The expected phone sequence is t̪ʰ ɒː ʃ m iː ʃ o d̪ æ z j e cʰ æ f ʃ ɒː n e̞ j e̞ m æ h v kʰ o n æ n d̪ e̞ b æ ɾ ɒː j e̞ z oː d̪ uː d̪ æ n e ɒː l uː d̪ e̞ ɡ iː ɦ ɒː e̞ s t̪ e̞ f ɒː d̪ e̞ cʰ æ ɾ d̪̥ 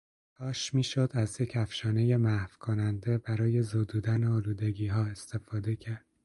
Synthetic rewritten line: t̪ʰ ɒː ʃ m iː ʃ o d̪ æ z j e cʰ æ f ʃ ɒː n e̞ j e̞ m æ h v kʰ o n æ n d̪ e̞ b æ ɾ ɒː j e̞ z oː d̪ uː d̪ æ n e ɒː l uː d̪ e̞ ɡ iː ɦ ɒː e̞ s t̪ e̞ f ɒː d̪ e̞ cʰ æ ɾ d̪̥